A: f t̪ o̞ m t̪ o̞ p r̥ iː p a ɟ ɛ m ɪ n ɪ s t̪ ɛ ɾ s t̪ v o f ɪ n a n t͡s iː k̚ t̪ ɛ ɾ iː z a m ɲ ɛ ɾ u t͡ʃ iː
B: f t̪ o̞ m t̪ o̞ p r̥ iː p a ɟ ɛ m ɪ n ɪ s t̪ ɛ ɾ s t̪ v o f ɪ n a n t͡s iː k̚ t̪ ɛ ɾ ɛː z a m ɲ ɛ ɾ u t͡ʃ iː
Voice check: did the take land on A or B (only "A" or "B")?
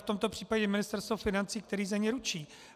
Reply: A